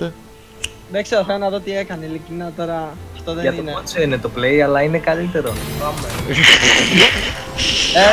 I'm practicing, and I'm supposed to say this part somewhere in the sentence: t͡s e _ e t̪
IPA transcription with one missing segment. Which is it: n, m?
n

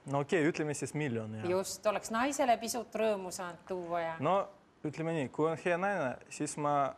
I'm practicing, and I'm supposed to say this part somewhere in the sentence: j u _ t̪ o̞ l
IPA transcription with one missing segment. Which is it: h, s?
s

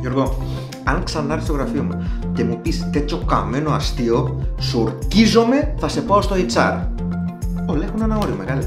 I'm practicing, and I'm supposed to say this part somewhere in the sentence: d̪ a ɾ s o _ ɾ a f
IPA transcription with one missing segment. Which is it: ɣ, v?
ɣ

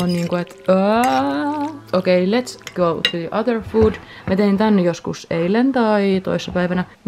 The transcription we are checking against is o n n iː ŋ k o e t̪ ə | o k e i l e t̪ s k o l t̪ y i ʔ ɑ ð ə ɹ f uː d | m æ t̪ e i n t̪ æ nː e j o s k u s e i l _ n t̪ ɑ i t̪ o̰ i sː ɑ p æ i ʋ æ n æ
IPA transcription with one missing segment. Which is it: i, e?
e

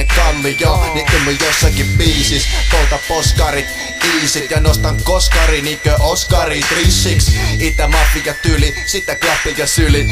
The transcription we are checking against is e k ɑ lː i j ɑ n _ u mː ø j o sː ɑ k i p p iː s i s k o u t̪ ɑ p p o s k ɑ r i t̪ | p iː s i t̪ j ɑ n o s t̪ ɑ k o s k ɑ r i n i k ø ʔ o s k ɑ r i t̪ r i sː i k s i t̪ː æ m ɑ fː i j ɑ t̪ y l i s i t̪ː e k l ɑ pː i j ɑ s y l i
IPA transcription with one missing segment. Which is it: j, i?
i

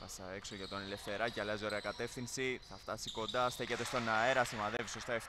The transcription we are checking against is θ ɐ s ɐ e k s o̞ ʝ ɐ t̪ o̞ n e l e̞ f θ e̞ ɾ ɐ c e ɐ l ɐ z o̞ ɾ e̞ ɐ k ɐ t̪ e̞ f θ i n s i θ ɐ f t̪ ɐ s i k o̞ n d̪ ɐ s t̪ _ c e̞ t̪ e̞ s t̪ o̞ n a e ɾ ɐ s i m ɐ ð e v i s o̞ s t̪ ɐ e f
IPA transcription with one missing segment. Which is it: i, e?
e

